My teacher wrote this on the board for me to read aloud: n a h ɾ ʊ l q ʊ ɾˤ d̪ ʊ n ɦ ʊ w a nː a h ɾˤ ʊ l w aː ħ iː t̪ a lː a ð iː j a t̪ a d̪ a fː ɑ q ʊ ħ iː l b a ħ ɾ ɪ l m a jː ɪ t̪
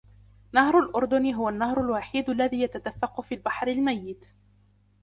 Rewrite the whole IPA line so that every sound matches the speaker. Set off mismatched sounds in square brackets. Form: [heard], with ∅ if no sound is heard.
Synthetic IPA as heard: n a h ɾ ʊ l [ʔ] ʊ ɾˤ d̪ ʊ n ɦ ʊ w a nː a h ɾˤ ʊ l w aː ħ iː [d̪] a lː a ð iː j a t̪ a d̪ a fː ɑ q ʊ [f] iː l b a ħ ɾ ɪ l m a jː ɪ t̪